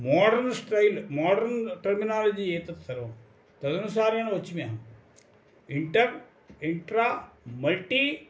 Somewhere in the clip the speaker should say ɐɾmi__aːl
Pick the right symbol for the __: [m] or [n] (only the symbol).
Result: n